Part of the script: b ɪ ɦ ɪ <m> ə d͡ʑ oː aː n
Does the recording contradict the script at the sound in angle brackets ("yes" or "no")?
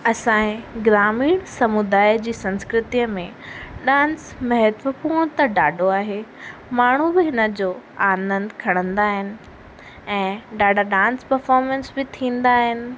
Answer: yes